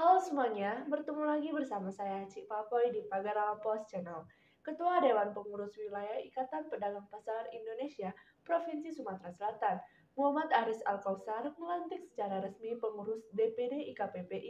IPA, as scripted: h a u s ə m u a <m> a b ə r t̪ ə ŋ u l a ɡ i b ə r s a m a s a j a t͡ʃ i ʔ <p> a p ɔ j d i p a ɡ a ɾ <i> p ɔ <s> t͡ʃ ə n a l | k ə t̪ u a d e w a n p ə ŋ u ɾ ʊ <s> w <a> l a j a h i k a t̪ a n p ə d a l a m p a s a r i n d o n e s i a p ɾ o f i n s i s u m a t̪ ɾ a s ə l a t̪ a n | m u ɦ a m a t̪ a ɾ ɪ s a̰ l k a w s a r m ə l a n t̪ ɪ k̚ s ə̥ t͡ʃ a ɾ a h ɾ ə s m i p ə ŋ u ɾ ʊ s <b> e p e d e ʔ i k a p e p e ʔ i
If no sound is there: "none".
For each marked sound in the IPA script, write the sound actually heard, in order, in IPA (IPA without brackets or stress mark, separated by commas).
ɲ, p, a, s, s, i, d